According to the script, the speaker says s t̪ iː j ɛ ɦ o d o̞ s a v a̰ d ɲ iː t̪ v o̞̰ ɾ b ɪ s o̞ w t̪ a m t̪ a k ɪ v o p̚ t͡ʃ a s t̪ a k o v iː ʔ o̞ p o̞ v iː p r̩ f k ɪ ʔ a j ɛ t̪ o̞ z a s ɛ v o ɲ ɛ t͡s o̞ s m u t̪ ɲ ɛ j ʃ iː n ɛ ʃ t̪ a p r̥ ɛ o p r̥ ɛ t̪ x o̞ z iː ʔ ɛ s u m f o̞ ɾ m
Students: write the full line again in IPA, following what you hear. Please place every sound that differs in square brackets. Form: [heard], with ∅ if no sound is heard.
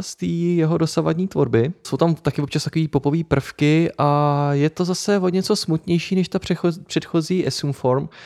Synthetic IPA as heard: s t̪ iː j ɛ ɦ o d o̞ s a v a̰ d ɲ iː t̪ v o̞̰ ɾ b ɪ s o̞ w t̪ a m t̪ a k ɪ v o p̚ t͡ʃ a s t̪ a k o v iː [p] o̞ p o̞ v iː p r̩ f k ɪ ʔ a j ɛ t̪ o̞ z a s ɛ v o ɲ ɛ t͡s o̞ s m u t̪ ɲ ɛ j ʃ iː n ɛ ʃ t̪ a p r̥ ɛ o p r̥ ɛ t̪ x o̞ z iː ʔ ɛ s u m f o̞ ɾ m